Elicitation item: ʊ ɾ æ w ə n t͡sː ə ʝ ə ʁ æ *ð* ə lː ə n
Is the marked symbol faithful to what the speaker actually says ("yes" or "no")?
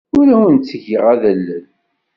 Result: yes